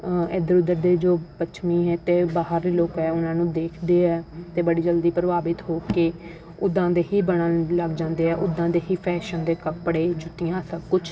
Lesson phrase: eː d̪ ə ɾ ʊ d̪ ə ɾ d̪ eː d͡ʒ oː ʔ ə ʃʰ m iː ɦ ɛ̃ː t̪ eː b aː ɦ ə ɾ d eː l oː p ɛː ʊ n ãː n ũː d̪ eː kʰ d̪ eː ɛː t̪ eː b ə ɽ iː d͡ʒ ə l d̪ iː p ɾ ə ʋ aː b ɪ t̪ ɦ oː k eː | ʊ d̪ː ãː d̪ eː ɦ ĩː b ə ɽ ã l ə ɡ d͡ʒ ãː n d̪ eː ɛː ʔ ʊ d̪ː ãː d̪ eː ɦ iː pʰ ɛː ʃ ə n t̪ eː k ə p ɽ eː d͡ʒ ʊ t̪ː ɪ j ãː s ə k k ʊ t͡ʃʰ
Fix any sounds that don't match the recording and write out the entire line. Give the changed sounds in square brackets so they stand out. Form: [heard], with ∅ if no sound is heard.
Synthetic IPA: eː d̪ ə ɾ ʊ d̪ ə ɾ d̪ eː d͡ʒ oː [p] ə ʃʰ m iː ɦ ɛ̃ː t̪ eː b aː ɦ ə ɾ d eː l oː [k] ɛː ʊ n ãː n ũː d̪ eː kʰ d̪ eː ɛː t̪ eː b ə ɽ iː d͡ʒ ə l d̪ iː p ɾ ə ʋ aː b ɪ t̪ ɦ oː k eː | ʊ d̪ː ãː d̪ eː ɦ [iː] b ə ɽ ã l ə ɡ d͡ʒ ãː n d̪ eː ɛː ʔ ʊ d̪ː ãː d̪ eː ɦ iː pʰ ɛː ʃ ə n [d̪] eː k ə p ɽ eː d͡ʒ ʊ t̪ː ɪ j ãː s ə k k ʊ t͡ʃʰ